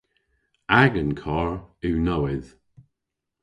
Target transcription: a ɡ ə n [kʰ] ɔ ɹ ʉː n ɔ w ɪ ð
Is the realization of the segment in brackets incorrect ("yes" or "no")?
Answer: no